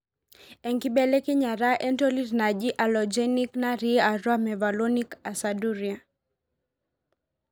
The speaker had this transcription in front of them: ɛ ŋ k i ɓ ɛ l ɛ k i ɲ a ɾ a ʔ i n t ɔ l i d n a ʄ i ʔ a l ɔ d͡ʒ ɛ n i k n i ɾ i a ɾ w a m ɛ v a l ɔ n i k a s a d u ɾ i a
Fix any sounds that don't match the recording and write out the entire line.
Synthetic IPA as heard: ɛ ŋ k i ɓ ɛ l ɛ k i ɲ a ɾ a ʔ ɛ n t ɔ l i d n a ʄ i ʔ a l ɔ d͡ʒ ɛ n i k n a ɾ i a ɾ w a m ɛ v a l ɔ n i k a s a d u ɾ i a